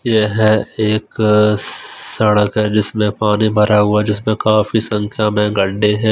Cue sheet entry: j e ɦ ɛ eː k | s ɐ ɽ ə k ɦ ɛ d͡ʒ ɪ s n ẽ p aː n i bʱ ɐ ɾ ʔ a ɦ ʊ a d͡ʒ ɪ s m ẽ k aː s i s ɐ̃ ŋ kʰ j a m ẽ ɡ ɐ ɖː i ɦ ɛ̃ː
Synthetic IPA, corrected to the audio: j e ɦ ɛ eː k | s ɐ ɽ ə k ɦ ɛ d͡ʒ ɪ s m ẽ p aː n i bʱ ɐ ɾ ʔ a ɦ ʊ a d͡ʒ ɪ s m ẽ k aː f i s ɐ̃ ŋ kʰ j a m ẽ ɡ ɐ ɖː e ɦ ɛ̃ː